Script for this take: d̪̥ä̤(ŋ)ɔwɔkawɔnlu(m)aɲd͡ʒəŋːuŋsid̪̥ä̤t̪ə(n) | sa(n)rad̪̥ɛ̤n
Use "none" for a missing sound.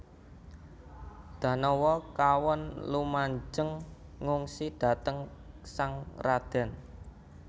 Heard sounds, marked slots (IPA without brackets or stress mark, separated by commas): n, m, ŋ, ŋ